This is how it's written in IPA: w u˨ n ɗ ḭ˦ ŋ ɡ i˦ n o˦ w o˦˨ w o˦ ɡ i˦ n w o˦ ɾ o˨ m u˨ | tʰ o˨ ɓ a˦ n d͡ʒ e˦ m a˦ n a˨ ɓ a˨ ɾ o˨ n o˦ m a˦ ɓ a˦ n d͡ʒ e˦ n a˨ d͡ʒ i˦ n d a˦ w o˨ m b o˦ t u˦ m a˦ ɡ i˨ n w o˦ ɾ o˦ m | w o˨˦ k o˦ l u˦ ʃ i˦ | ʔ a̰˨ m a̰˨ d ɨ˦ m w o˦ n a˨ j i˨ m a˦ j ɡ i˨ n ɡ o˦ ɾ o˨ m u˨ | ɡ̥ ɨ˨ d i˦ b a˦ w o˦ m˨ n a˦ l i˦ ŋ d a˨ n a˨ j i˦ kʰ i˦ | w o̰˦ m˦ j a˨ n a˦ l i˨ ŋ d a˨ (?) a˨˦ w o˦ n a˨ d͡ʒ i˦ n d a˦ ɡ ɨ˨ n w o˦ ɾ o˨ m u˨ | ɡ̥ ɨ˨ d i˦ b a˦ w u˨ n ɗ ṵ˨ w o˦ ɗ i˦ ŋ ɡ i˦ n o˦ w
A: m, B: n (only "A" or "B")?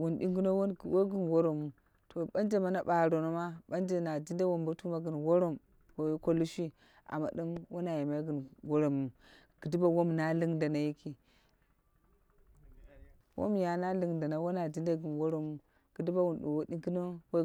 B